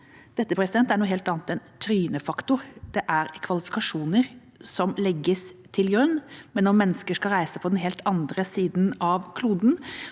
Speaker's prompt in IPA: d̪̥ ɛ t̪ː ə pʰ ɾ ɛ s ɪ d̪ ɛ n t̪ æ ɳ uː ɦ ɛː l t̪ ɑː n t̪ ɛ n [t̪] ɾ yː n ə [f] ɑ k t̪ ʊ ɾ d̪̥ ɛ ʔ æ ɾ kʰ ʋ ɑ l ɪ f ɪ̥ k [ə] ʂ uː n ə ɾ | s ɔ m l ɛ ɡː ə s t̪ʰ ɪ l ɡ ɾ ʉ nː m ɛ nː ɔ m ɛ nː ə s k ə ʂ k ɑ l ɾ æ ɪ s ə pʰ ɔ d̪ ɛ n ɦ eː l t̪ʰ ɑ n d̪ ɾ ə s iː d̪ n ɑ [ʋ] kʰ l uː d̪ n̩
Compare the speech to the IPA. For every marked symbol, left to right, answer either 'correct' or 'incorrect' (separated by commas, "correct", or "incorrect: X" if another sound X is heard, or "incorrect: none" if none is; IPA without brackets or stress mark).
incorrect: t̪ʰ, correct, incorrect: ɑ, correct